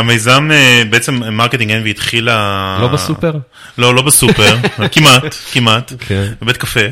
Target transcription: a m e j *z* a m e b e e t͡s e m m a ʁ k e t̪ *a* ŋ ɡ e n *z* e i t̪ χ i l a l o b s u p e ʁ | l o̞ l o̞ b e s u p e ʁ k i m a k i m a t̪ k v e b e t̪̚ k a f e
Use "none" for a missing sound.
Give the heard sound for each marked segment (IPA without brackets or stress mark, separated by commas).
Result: z, i, v